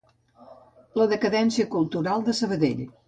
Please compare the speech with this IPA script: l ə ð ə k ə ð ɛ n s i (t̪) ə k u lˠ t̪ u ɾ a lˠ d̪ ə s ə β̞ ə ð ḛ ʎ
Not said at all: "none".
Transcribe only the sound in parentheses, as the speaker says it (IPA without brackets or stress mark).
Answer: none